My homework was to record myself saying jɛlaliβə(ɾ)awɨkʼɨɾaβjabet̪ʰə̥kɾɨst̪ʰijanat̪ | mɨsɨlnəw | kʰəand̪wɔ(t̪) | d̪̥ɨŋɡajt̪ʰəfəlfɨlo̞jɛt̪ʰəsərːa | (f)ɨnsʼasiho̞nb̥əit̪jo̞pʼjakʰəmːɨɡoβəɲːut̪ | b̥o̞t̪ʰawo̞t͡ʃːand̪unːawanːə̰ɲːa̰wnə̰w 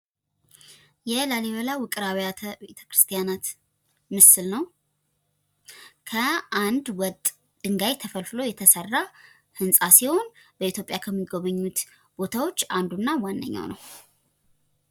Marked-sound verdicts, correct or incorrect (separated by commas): incorrect, incorrect, incorrect